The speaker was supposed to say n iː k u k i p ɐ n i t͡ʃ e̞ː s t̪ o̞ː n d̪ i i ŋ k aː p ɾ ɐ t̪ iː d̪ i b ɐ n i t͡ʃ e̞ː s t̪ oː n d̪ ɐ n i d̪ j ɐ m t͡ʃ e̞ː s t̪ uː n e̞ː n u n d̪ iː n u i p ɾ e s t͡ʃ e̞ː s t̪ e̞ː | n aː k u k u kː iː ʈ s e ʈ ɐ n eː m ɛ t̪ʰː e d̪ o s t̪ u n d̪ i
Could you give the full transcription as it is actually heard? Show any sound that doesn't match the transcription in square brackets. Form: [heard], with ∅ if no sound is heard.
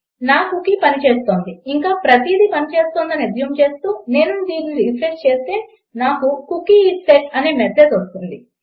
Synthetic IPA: n [aː] k u k i p ɐ n i t͡ʃ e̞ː s t̪ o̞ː n d̪ i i ŋ k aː p ɾ ɐ t̪ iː d̪ i [p] ɐ n i t͡ʃ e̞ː s t̪ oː n d̪ ɐ n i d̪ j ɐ m t͡ʃ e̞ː s t̪ uː n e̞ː n u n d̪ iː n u i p ɾ e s t͡ʃ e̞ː s t̪ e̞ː | n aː k u k u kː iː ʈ s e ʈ ɐ n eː m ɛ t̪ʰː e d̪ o s t̪ u n d̪ i